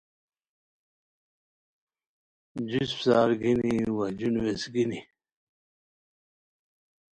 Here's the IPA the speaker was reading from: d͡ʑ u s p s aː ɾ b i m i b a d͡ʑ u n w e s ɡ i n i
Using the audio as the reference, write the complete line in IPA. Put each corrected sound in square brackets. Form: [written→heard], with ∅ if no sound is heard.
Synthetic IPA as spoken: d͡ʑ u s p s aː ɾ [b→ɡ] i [m→n] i [b→w] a d͡ʑ u n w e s ɡ i n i